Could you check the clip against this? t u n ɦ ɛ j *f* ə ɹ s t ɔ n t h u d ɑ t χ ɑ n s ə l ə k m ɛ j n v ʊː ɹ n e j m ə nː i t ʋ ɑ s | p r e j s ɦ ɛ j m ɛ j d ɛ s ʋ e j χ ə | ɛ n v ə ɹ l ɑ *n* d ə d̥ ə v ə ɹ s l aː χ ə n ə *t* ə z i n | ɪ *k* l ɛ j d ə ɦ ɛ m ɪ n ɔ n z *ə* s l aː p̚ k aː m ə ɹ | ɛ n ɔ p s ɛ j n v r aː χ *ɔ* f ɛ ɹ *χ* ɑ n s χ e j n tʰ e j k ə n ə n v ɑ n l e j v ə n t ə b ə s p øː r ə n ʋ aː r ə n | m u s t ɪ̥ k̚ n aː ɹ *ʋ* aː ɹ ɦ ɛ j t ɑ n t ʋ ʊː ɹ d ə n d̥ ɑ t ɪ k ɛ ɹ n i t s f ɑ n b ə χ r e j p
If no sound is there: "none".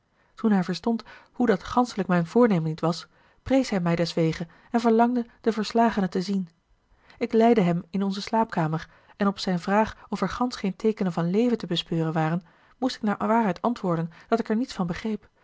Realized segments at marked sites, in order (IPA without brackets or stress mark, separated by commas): v, ŋ, t, k, ə, ɔ, χ, ʋ